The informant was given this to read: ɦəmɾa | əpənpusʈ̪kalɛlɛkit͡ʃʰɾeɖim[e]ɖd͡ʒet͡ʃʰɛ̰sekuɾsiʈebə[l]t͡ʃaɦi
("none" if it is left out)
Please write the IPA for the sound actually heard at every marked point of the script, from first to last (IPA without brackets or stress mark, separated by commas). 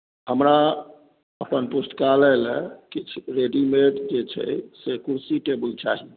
e, l